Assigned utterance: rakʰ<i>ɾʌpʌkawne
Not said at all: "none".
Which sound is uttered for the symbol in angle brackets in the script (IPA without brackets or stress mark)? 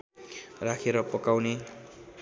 e